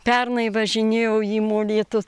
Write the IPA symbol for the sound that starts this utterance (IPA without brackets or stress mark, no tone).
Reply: pʲ